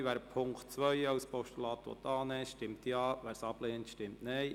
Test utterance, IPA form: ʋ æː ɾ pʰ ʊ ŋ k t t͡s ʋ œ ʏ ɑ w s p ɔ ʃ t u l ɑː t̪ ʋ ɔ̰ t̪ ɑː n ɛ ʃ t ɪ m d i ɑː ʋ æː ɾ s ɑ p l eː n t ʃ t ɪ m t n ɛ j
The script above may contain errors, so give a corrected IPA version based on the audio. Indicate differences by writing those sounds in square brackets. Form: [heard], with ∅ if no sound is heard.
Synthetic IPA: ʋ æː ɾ pʰ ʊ ŋ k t t͡s ʋ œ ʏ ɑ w s p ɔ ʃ t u l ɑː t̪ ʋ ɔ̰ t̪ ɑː n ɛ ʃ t ɪ m [t] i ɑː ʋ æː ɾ s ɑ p l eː n t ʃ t ɪ m t n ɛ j